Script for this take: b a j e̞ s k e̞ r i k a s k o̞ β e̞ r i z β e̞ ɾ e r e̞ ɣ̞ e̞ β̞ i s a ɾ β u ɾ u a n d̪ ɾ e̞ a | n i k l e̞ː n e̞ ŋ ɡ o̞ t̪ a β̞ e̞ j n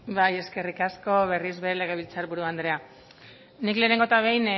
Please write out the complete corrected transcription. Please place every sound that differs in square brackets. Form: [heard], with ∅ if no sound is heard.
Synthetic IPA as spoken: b a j e̞ s k e̞ r i k a s k o̞ β e̞ r i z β e̞ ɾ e [l] e̞ ɣ̞ e̞ β̞ i [t͡s] a ɾ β u ɾ u a n d̪ ɾ e̞ a | n i k l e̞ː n e̞ ŋ ɡ o̞ t̪ a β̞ e̞ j n